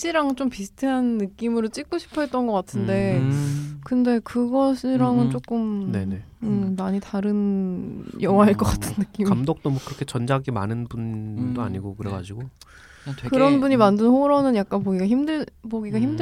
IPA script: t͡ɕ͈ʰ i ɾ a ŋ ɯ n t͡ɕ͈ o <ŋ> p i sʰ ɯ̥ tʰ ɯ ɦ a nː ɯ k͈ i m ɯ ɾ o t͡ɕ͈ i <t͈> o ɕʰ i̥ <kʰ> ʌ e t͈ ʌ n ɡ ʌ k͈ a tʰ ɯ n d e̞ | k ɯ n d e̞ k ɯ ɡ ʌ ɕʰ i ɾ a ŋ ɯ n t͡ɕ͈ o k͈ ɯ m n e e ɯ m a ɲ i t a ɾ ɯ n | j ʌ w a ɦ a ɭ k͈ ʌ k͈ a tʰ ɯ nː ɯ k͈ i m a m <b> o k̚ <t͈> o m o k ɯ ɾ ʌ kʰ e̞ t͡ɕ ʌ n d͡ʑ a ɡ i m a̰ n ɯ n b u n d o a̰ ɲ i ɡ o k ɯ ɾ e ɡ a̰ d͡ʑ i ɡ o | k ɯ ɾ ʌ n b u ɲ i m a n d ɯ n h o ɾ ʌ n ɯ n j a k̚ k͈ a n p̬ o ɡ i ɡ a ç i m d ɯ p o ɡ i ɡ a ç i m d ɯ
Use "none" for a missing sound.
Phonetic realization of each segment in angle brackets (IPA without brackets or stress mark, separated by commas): m, k͈, pʰ, d, t͈